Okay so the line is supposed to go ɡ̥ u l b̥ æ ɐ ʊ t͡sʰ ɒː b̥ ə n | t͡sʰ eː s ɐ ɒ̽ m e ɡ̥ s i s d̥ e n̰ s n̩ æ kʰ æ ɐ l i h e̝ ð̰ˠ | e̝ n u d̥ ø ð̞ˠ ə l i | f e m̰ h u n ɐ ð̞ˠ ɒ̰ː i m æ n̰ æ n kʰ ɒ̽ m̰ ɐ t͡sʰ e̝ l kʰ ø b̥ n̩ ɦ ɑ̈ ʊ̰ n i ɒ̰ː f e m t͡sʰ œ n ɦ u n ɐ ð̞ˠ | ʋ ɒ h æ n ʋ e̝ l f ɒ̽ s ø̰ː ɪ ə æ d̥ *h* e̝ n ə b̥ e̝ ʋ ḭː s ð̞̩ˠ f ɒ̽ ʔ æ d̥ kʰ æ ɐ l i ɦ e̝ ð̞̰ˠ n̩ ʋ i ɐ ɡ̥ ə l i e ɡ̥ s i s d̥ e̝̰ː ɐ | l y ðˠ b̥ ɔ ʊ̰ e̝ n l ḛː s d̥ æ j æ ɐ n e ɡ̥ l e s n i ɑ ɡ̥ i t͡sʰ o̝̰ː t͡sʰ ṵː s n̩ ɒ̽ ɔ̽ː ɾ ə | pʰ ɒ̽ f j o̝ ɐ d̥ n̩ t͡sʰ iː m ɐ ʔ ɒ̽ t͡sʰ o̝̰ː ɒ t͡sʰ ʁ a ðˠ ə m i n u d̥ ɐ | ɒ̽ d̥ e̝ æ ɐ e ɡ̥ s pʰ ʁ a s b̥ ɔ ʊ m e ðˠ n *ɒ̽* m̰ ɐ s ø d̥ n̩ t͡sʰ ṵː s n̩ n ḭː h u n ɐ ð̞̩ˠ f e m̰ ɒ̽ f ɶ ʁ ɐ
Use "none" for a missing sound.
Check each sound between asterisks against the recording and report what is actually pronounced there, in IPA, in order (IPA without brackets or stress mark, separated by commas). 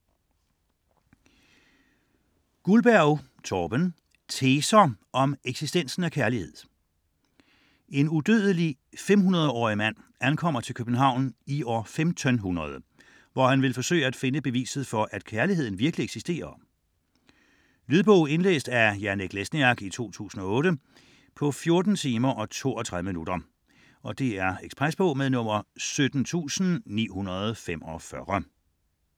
f, ɔ̽